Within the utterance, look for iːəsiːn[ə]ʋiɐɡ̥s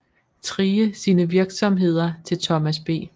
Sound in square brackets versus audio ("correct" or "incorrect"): correct